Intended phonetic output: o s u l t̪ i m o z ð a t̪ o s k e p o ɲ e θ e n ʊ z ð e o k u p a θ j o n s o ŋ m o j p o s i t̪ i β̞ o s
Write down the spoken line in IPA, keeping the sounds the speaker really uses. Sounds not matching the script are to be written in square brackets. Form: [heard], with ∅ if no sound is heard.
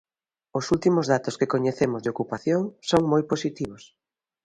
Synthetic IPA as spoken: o s u l t̪ i m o z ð a t̪ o s k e [k] o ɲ e θ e [m] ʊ z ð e o k u p a θ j o [ŋ] s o ŋ m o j p o s i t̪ i β̞ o s